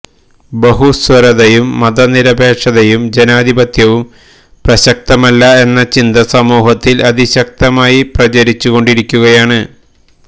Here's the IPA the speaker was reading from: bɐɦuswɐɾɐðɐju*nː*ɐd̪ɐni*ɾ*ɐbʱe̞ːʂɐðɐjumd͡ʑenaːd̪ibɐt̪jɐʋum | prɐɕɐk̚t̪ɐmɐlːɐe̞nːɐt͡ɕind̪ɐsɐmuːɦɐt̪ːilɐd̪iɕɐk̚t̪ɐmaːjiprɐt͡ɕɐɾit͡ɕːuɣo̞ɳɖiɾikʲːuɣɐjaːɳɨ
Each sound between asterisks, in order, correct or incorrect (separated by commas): incorrect, correct